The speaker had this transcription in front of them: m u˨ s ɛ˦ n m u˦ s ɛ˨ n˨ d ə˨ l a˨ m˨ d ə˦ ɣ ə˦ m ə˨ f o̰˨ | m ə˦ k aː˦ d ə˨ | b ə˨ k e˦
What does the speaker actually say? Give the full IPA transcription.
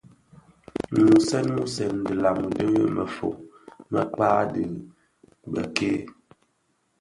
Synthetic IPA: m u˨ s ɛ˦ n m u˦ s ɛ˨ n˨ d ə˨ l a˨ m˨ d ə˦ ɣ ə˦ m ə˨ f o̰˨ | m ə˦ k͡p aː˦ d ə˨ | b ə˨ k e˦